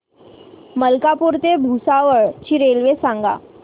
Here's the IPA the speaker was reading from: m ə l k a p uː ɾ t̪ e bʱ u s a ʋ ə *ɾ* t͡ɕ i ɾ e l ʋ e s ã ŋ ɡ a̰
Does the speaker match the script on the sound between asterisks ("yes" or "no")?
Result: no